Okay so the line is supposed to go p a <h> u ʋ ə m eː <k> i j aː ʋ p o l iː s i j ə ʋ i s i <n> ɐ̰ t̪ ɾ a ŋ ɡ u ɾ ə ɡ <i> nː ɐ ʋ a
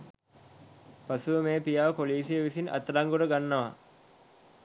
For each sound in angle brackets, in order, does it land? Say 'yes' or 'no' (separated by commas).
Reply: no, no, yes, no